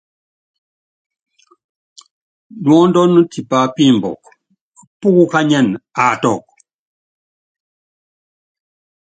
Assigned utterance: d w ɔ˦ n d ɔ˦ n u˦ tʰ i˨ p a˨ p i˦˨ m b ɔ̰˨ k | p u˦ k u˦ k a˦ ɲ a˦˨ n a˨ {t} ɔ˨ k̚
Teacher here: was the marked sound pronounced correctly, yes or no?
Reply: yes